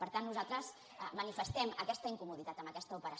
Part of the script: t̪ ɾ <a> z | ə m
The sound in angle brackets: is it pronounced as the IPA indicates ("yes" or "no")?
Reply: no